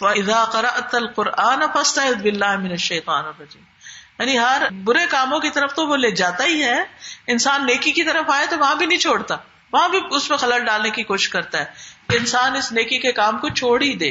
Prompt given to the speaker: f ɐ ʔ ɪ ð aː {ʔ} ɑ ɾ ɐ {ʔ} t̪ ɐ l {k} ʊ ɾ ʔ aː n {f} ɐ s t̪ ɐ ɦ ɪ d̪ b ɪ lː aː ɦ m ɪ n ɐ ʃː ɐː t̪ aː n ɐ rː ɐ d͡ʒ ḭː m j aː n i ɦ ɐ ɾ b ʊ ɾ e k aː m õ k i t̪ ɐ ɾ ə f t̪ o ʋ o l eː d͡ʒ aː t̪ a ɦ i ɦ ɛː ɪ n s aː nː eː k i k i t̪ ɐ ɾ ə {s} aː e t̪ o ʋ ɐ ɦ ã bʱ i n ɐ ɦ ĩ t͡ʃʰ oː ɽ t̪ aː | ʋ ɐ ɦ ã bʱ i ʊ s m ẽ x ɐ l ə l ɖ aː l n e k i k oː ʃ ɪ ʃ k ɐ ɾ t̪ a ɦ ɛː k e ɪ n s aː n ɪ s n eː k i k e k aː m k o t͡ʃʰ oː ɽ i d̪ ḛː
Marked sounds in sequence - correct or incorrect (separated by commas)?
incorrect, correct, incorrect, correct, incorrect